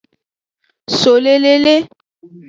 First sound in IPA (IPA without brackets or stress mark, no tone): s